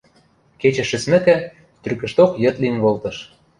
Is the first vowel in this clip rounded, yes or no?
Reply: no